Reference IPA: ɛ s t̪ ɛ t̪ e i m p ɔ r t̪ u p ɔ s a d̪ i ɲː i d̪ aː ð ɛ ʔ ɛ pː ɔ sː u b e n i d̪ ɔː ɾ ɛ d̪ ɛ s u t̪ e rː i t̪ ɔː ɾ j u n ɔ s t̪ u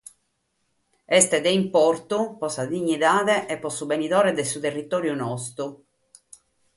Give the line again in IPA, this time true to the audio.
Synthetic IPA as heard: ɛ s t̪ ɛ d̪ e i m p ɔ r t̪ u p ɔ s a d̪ i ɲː i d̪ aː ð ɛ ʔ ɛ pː ɔ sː u b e n i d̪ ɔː ɾ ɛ d̪ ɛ s u t̪ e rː i t̪ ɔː ɾ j u n ɔ s t̪ u